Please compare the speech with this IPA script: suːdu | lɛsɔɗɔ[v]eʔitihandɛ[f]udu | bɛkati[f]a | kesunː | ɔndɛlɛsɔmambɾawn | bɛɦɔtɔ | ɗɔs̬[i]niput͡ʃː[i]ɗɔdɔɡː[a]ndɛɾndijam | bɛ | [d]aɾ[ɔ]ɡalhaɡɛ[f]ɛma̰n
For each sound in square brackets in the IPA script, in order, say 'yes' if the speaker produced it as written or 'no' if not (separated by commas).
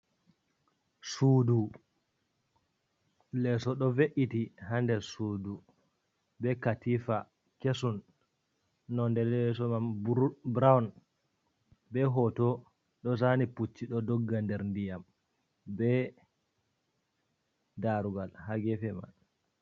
yes, no, yes, no, yes, yes, yes, no, yes